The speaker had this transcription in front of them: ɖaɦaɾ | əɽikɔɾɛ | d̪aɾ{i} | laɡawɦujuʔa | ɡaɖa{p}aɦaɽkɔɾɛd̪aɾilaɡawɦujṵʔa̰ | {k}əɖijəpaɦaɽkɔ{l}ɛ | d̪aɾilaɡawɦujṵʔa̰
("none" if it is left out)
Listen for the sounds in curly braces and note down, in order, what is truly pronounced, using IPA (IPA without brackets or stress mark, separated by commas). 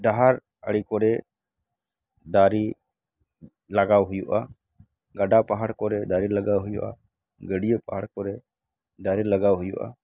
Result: i, p, ɡ, ɾ